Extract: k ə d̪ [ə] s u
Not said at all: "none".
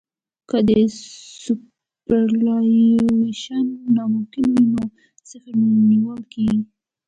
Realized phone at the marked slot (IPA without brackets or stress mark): ə